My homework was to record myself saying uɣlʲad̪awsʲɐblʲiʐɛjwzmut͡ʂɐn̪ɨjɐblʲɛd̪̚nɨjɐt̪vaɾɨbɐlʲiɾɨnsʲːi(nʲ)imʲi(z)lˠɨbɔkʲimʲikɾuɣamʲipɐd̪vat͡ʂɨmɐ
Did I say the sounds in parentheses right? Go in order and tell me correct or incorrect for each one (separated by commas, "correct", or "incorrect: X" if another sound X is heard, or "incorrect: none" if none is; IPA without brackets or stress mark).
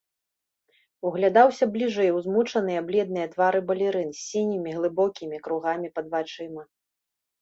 correct, incorrect: ɣ